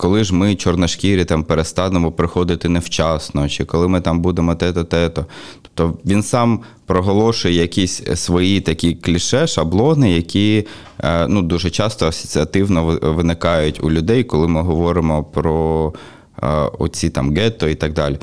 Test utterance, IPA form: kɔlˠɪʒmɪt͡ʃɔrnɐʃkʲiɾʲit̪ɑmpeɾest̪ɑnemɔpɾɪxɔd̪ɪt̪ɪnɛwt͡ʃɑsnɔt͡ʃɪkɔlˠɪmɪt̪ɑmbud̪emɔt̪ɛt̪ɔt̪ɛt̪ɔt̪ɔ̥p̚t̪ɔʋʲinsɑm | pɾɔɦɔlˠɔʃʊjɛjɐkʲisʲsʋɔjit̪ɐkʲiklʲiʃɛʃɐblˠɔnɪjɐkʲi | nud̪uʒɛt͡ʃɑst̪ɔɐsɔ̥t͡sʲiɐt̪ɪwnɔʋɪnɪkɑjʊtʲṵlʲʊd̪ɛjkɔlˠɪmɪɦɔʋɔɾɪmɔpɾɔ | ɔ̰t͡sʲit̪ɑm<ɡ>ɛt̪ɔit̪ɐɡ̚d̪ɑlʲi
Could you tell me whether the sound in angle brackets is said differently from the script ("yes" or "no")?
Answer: no